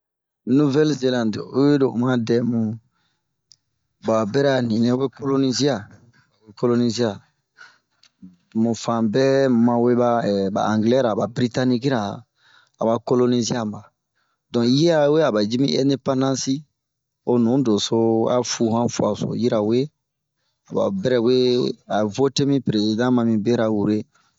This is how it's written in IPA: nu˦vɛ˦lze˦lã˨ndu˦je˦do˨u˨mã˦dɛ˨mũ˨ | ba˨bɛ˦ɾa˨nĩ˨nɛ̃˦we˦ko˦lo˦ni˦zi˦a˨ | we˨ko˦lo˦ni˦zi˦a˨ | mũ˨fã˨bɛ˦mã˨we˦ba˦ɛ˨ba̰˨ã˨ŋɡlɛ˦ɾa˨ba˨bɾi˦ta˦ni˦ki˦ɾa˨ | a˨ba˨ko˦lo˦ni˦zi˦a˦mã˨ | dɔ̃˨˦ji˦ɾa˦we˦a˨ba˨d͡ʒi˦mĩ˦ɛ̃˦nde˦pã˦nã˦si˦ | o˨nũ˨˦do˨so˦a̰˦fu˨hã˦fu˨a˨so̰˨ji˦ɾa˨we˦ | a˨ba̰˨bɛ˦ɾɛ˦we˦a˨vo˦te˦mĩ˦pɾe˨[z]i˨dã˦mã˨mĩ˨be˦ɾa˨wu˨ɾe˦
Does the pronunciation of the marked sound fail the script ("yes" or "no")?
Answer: no